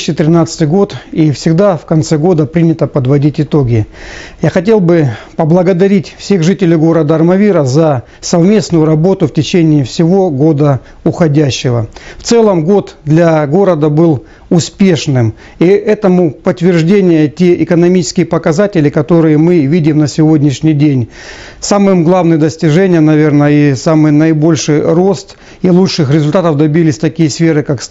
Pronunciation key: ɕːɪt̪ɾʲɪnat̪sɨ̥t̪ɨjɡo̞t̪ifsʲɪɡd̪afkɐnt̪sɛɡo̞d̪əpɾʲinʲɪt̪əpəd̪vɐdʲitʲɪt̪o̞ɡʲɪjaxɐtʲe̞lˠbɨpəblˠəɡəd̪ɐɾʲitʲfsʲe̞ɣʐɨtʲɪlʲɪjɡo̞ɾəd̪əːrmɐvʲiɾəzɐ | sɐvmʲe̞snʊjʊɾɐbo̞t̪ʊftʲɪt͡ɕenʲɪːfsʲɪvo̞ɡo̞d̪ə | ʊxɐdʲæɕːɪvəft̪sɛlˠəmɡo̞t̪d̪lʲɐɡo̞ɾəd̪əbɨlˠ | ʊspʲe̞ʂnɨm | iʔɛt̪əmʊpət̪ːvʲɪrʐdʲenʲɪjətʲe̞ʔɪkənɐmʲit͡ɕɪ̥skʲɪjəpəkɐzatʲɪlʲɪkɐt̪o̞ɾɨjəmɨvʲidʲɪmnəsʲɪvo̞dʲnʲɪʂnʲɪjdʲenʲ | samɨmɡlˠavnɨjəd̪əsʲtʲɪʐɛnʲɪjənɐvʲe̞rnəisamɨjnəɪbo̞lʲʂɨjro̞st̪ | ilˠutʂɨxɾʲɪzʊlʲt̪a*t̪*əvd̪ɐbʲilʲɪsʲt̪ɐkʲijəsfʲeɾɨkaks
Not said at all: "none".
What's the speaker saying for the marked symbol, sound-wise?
t̪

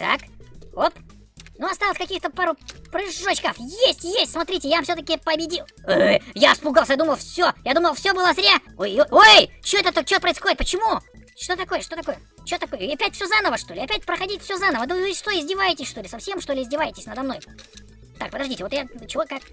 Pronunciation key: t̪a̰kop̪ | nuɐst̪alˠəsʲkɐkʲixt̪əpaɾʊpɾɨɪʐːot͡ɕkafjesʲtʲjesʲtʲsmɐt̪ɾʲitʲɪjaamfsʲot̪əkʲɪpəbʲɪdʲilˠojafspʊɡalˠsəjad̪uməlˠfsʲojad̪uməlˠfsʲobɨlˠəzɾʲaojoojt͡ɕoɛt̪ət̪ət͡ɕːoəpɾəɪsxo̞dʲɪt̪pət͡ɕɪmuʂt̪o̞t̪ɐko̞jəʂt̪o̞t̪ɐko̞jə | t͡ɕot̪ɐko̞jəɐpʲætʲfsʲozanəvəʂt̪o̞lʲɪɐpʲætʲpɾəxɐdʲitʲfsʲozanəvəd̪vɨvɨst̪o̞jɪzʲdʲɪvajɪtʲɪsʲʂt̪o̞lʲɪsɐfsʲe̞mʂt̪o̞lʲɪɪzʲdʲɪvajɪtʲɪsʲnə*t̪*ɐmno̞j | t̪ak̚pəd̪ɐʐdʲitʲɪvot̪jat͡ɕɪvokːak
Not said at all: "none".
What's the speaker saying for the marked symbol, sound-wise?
d̪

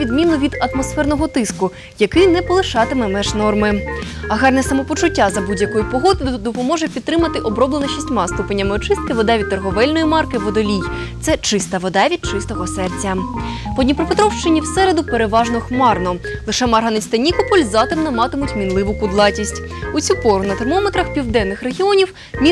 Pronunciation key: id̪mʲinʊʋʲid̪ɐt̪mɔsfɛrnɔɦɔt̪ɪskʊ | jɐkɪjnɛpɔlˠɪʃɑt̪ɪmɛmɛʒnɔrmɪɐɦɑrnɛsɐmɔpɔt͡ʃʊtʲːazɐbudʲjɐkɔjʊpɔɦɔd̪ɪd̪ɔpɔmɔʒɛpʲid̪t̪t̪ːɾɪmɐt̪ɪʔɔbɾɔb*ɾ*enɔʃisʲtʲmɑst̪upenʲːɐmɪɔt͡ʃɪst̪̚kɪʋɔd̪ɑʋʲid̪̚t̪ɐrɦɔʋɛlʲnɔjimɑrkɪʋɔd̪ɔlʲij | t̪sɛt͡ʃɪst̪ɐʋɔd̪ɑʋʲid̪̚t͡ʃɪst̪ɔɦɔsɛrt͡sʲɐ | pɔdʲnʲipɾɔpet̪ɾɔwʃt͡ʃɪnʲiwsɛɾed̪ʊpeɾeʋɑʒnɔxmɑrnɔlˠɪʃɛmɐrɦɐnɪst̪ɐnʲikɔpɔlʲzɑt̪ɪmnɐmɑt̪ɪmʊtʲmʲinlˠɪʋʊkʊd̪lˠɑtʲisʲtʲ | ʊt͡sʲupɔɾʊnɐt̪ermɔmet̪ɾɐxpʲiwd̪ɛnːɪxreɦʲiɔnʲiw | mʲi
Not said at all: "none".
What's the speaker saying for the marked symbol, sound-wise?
l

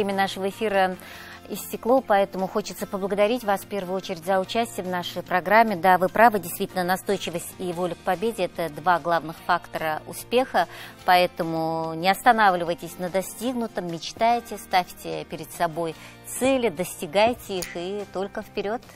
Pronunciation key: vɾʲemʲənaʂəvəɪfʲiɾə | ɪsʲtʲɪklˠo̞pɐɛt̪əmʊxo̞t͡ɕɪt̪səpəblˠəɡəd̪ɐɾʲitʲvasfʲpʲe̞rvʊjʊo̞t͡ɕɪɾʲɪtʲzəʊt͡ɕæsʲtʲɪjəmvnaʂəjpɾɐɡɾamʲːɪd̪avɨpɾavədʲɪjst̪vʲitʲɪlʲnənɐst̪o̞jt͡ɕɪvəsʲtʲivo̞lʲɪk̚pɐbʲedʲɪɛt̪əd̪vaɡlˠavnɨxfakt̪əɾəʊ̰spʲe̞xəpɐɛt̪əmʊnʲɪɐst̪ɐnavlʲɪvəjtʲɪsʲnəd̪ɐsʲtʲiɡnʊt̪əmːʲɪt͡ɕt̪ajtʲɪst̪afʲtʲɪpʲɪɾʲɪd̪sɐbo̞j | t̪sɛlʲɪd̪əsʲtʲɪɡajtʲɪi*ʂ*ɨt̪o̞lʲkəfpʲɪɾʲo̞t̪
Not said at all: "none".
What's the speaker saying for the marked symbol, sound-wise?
x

